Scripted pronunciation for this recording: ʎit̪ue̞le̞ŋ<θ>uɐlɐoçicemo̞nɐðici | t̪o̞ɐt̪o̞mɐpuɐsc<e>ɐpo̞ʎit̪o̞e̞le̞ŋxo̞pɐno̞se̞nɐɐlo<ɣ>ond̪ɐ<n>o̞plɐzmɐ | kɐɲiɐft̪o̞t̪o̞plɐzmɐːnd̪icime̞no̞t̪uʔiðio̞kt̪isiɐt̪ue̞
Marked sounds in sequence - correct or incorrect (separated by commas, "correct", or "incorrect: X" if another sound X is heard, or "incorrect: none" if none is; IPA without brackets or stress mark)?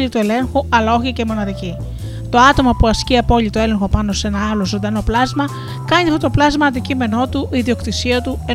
incorrect: x, incorrect: i, incorrect: z, correct